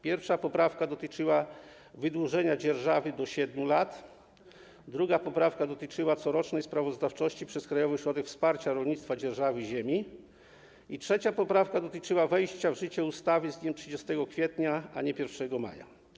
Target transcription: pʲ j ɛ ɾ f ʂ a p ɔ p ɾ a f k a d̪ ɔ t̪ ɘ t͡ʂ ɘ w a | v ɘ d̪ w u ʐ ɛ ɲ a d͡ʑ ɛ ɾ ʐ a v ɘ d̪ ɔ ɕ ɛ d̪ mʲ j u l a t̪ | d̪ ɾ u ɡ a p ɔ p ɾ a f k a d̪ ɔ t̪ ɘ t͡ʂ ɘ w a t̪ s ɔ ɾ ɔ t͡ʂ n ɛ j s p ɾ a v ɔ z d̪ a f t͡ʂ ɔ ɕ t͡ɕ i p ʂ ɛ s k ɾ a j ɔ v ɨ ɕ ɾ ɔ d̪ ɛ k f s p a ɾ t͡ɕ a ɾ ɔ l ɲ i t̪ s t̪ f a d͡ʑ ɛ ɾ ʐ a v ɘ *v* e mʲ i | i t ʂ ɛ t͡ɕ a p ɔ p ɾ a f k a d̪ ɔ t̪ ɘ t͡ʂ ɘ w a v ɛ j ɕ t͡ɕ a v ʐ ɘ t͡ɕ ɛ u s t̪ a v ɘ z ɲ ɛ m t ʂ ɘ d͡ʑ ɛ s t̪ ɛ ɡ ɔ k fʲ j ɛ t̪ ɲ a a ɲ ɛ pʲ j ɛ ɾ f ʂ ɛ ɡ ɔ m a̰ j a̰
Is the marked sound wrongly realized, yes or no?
yes